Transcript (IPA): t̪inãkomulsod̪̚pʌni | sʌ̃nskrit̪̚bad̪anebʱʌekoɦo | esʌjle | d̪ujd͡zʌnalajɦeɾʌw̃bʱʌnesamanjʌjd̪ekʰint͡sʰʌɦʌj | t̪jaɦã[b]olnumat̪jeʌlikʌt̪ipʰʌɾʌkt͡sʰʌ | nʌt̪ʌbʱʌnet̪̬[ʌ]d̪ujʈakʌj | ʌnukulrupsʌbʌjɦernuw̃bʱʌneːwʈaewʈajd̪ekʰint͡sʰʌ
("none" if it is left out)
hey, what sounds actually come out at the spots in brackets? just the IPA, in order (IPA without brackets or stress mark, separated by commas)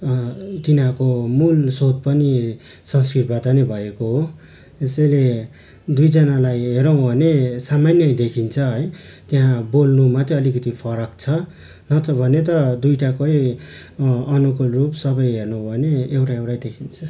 b, ʌ